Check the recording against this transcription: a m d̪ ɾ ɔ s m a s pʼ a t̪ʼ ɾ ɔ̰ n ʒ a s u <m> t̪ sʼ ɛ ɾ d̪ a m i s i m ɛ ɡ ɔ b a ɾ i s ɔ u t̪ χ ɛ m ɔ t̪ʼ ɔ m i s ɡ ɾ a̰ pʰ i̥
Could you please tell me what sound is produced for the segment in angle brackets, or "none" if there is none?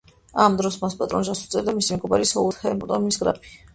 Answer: none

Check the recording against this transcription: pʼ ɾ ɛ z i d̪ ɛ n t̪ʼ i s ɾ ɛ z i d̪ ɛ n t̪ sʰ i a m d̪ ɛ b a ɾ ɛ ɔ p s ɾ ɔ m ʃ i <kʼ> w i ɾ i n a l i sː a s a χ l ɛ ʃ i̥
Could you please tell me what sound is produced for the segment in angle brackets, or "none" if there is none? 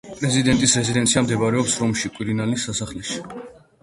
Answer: kʼ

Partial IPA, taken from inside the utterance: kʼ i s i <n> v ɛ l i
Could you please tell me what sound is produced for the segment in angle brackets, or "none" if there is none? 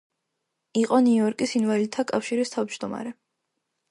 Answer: n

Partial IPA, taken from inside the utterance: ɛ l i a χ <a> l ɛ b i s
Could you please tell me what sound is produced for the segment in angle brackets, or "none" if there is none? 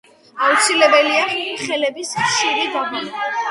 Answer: ɛ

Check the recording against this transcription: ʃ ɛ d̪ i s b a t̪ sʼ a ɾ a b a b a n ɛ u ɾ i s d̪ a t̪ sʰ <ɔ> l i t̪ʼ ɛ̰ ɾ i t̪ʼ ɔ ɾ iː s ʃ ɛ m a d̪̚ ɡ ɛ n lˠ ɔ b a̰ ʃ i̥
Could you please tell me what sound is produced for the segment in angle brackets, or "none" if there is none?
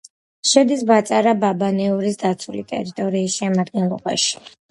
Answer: u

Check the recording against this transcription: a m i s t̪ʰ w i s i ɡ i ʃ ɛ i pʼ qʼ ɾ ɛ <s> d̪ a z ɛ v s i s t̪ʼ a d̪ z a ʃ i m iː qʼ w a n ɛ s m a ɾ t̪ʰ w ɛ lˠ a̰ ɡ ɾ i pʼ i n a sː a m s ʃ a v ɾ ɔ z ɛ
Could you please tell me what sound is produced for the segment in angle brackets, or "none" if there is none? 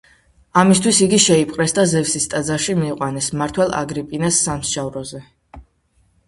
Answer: s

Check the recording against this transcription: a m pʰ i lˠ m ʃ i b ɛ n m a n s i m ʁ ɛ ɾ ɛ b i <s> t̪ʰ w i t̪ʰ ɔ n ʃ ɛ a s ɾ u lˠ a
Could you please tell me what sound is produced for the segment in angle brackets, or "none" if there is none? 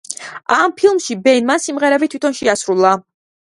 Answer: none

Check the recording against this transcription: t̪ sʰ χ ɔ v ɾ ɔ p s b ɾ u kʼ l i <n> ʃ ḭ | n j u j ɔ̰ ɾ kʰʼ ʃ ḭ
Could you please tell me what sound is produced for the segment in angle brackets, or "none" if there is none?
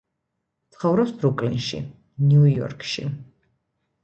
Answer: n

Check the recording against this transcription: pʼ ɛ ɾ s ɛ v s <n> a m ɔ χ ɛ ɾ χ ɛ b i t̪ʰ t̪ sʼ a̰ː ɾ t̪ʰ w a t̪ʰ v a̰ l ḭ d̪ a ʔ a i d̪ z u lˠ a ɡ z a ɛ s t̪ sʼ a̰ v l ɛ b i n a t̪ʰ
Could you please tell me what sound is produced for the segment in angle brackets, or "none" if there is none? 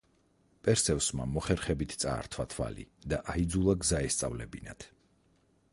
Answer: m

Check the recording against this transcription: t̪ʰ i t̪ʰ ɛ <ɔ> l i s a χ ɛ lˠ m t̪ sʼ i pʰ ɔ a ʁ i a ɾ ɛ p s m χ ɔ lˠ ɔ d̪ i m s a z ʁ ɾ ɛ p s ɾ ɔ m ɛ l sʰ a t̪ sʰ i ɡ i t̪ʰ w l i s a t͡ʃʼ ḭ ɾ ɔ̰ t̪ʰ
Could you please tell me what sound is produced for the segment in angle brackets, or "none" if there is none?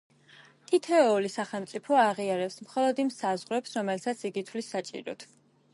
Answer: ɔ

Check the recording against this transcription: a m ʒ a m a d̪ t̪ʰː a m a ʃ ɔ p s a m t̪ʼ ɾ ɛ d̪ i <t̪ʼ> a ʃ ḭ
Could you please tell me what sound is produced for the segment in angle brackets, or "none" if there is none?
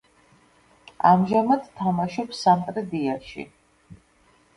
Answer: none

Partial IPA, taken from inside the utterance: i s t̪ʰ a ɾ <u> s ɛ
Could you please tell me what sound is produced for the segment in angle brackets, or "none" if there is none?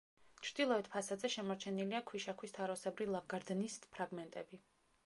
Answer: ɔ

